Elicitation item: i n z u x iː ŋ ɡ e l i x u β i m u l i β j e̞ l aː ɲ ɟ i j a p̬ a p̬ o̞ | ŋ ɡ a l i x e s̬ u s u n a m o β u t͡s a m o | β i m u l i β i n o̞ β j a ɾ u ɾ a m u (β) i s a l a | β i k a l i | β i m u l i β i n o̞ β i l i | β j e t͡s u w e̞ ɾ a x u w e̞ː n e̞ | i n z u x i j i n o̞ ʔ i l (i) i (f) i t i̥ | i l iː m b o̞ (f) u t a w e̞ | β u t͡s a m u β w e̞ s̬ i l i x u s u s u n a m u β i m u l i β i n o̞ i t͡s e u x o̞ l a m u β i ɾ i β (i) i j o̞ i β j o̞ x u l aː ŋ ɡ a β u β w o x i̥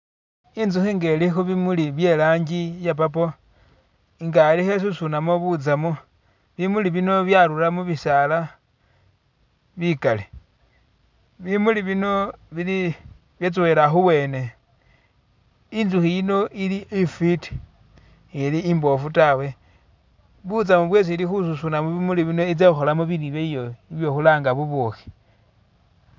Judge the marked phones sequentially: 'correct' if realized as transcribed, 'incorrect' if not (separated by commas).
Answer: correct, correct, correct, correct, incorrect